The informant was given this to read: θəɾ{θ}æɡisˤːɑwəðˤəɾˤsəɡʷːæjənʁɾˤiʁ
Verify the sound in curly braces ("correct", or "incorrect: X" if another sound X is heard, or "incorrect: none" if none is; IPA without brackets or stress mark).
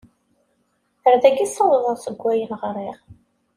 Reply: incorrect: ð